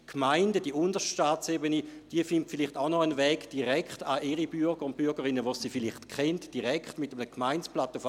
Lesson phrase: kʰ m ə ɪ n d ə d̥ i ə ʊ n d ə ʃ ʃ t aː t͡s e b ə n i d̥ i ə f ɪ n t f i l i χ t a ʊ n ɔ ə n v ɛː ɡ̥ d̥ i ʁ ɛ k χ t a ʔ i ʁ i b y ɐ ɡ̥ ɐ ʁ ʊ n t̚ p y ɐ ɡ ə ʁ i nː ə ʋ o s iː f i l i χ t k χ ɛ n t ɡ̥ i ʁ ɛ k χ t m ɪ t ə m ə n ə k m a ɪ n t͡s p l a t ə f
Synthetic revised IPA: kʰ m a ɪ n d ə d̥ i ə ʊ n d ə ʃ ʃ t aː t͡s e b ə n i d̥ i ə f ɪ n t f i l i χ t a ʊ n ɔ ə n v ɛː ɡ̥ d̥ i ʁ ɛ k χ t a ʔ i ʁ i b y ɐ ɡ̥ ə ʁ ʊ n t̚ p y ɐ ɡ ə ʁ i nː ə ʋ o s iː f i l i χ t k χ ɛ n t d̥ i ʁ ɛ k χ t m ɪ t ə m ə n ə k m a ɪ n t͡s p l a t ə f